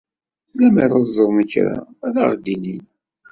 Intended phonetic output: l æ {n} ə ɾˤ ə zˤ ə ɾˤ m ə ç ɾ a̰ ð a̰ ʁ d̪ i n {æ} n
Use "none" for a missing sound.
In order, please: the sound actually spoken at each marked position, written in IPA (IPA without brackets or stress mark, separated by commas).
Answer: m, i